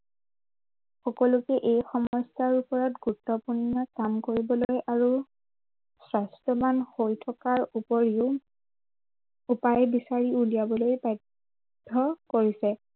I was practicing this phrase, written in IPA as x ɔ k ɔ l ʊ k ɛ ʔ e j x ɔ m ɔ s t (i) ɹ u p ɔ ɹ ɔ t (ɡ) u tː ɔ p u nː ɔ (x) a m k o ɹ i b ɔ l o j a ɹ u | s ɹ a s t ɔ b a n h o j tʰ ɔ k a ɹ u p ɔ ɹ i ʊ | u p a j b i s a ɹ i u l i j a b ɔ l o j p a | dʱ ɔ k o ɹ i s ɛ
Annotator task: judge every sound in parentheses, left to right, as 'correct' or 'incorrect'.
incorrect: a, correct, incorrect: k

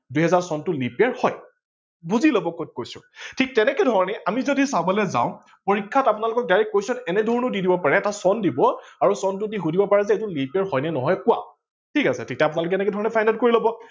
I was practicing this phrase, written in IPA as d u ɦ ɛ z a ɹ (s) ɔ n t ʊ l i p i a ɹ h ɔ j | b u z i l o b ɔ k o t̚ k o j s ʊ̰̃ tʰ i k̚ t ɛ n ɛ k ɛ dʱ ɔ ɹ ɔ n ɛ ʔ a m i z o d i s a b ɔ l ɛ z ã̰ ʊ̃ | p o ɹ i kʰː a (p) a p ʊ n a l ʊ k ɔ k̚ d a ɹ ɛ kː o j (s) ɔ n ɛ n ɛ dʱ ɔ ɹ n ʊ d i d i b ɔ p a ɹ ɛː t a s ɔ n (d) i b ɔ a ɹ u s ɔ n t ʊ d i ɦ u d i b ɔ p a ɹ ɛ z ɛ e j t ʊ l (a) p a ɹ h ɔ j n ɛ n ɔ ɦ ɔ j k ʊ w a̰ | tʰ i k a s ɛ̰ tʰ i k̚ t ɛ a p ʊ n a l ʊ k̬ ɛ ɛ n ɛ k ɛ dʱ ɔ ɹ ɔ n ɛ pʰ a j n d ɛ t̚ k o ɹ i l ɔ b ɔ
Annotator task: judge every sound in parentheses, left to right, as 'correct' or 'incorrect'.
correct, incorrect: t, correct, correct, incorrect: i

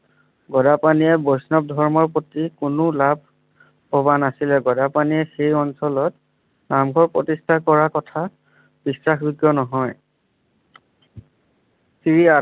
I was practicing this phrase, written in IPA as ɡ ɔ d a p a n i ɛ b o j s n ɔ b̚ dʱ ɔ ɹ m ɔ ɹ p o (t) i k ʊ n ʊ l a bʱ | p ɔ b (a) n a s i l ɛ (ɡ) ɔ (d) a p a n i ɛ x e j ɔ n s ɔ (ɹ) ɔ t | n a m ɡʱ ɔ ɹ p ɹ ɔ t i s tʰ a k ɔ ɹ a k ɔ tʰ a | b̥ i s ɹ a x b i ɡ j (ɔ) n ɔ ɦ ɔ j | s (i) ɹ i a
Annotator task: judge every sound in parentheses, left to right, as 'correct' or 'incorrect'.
correct, correct, correct, correct, incorrect: l, correct, correct

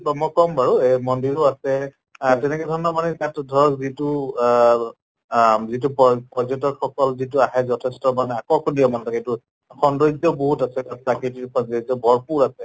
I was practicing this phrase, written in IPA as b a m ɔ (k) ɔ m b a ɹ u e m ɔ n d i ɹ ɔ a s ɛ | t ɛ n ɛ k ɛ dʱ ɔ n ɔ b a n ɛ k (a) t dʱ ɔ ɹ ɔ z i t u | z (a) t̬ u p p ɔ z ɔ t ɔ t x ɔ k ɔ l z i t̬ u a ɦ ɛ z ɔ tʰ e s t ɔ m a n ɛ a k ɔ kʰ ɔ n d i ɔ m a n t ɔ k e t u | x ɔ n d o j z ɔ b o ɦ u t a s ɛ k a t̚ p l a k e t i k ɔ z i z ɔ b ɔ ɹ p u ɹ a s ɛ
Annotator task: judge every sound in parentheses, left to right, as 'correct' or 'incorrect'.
correct, correct, incorrect: i

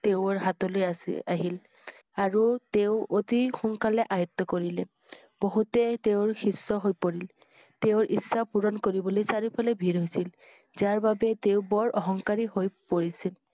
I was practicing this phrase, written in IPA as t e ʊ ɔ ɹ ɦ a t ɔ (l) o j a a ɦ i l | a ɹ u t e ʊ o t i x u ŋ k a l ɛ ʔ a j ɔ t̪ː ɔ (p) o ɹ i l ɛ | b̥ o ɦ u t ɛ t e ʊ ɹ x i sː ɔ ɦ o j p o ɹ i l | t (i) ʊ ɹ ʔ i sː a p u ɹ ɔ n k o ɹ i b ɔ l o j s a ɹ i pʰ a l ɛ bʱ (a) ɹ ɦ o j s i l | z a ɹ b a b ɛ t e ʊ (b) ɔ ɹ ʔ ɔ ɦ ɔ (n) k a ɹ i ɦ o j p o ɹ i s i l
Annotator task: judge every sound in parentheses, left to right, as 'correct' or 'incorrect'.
correct, incorrect: k, incorrect: e, incorrect: i, correct, incorrect: ŋ

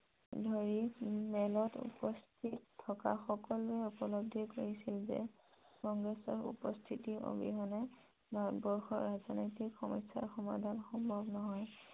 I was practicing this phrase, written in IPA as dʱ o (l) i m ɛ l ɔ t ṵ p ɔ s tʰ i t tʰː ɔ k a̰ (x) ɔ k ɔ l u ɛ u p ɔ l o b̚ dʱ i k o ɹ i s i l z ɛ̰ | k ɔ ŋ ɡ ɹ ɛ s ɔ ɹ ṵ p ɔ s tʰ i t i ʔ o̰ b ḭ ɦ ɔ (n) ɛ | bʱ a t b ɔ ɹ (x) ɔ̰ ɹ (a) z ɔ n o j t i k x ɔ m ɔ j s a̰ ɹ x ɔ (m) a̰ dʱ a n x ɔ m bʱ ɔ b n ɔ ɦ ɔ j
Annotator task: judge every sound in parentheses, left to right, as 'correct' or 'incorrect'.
incorrect: ɹ, correct, correct, correct, correct, correct

